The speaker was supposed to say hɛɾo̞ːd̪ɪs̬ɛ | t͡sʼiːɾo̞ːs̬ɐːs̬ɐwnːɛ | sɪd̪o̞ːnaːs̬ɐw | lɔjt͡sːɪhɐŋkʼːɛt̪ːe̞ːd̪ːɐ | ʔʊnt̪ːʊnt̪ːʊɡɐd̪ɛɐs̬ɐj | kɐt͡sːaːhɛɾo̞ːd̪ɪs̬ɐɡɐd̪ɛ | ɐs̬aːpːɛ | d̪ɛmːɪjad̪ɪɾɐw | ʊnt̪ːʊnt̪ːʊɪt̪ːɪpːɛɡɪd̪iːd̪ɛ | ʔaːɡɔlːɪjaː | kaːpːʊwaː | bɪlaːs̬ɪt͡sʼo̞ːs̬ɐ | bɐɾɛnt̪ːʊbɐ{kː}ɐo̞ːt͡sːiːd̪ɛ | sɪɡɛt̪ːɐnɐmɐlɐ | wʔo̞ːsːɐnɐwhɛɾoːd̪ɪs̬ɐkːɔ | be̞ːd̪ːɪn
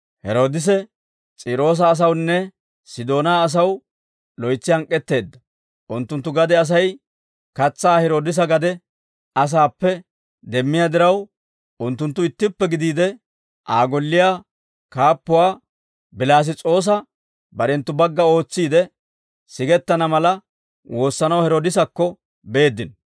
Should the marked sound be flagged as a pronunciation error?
yes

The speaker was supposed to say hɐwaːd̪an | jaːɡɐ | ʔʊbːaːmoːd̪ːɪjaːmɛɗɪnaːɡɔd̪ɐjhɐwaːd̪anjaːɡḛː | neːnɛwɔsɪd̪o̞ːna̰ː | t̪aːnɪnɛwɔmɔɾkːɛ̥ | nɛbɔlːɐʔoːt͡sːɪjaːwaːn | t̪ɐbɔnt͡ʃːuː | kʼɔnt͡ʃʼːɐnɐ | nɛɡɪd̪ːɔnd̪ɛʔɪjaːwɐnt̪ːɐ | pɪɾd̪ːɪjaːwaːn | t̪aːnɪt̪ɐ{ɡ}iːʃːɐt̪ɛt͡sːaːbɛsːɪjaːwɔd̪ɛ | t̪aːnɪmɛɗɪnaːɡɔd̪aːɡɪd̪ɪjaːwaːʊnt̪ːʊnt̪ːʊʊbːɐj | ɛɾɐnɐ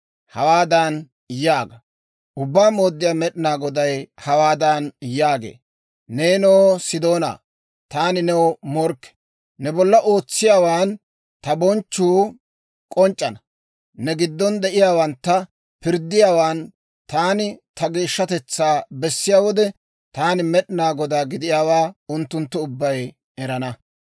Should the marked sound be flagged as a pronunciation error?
no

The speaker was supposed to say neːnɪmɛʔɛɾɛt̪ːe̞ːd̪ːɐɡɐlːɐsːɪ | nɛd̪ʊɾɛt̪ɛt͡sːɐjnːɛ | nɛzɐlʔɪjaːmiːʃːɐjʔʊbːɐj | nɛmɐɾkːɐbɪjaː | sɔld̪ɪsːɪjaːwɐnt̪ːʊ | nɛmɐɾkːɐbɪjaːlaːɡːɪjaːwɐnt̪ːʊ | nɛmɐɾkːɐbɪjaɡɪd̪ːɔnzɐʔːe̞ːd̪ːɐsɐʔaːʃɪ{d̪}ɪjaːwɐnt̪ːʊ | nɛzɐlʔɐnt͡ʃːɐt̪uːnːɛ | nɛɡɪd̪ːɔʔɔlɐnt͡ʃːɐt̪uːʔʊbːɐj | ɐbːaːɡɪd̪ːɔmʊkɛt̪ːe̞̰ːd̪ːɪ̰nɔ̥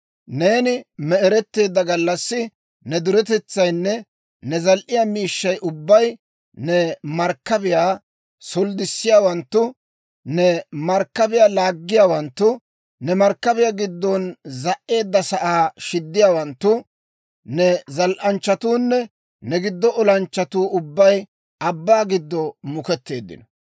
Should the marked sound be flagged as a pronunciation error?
yes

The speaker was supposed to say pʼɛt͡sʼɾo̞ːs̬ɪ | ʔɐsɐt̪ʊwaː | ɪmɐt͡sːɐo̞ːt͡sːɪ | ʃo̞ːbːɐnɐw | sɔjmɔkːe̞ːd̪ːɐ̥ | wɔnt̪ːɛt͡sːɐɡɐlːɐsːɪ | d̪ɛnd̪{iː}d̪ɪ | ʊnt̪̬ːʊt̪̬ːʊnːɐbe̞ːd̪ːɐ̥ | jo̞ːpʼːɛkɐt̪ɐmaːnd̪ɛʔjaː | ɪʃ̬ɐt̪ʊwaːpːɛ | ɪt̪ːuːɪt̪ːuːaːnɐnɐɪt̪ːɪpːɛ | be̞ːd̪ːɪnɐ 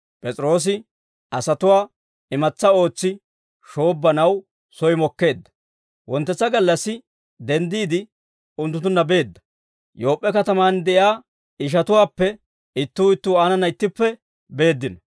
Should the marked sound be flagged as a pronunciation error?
no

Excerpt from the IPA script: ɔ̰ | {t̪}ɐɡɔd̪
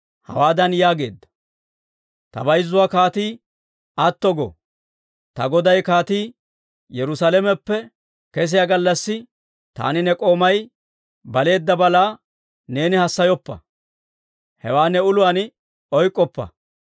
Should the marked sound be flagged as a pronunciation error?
no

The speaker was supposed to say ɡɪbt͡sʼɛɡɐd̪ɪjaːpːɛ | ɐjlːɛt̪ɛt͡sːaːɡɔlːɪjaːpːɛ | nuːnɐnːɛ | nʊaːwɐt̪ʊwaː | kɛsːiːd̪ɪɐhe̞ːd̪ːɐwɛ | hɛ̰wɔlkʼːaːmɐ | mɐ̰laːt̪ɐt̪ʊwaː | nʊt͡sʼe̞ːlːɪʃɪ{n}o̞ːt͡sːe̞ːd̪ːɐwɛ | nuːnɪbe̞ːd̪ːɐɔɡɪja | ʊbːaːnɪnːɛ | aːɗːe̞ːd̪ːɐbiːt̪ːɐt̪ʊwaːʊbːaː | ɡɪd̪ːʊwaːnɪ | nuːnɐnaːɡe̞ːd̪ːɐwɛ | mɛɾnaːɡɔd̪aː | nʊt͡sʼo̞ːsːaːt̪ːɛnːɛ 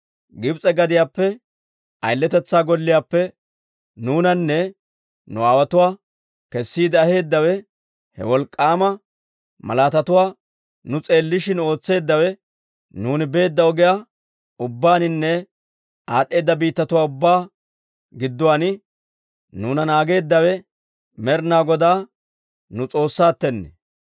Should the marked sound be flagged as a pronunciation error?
no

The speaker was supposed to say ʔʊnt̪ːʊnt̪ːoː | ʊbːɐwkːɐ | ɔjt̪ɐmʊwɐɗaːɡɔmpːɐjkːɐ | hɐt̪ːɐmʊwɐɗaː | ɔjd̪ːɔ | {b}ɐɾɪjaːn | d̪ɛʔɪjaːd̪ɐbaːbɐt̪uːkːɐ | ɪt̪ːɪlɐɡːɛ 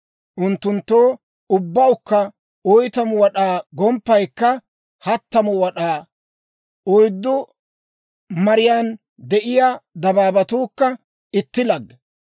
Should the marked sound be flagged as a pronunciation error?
yes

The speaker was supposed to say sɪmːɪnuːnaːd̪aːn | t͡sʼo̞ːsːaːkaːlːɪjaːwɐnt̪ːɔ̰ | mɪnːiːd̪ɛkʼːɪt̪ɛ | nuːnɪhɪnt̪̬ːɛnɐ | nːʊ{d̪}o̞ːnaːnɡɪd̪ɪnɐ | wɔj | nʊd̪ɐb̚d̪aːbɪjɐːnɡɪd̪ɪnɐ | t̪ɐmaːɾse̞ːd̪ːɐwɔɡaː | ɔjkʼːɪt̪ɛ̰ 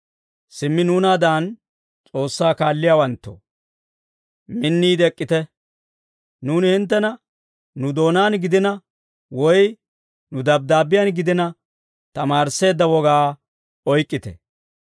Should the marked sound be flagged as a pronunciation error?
no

